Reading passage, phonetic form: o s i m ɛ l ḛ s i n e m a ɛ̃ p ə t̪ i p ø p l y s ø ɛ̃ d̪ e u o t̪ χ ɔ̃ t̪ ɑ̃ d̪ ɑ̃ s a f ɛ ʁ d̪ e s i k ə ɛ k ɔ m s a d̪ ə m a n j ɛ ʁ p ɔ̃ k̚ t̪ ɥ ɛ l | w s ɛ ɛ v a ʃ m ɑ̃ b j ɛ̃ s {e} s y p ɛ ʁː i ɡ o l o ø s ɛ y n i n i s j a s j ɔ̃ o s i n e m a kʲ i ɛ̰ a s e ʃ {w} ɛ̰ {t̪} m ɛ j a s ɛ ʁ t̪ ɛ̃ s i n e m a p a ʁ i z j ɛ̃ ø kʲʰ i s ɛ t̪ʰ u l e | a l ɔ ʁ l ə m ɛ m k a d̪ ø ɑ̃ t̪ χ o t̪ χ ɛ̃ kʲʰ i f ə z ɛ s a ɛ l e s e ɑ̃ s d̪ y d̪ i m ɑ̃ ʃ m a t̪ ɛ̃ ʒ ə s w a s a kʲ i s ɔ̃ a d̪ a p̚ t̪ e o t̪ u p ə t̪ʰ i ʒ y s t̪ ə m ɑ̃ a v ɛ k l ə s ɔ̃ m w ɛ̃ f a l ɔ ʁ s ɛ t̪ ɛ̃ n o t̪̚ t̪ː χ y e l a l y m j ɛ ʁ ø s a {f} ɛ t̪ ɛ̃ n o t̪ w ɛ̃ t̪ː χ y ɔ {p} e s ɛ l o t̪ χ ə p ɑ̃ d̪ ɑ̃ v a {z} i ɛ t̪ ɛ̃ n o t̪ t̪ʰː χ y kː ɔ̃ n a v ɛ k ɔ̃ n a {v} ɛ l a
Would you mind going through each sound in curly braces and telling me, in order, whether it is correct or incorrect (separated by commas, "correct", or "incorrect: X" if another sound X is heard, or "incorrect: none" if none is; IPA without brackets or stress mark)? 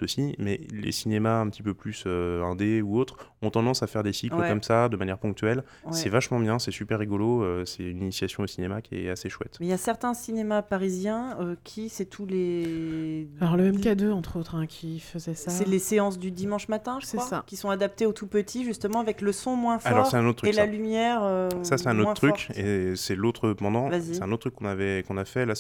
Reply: incorrect: ɛ, correct, correct, incorrect: s, incorrect: k, correct, incorrect: f